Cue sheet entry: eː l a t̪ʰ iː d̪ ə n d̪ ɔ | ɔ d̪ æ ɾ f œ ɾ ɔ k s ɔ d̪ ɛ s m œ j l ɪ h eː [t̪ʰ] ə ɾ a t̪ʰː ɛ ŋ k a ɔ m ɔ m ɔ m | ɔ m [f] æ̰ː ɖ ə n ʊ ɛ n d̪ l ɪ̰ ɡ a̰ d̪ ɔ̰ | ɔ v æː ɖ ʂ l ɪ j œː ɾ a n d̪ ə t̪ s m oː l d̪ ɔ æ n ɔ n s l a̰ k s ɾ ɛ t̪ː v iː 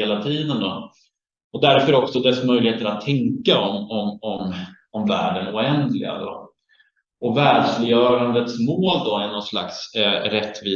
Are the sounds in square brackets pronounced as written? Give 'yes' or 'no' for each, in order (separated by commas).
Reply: no, no